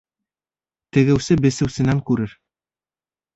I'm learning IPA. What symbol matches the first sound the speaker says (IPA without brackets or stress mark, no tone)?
t̪